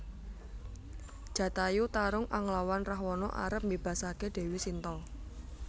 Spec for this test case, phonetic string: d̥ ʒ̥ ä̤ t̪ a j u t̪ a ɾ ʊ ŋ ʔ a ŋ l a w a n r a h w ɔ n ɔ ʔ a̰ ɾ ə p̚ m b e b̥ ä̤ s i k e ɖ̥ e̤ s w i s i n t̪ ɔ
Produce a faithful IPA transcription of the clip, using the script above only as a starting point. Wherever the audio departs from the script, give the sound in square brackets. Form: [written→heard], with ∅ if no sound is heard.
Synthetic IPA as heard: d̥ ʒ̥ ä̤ t̪ a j u t̪ a ɾ ʊ ŋ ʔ a ŋ l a w a n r a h w ɔ n ɔ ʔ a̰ ɾ ə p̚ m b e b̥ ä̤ s [i→a] k e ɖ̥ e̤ [s→∅] w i s i n t̪ ɔ